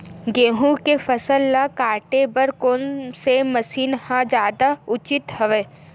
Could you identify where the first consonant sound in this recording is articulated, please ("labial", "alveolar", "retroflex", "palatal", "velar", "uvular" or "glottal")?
velar